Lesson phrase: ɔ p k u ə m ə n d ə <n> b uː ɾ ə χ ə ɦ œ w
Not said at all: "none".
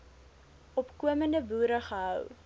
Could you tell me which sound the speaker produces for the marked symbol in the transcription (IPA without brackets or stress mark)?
none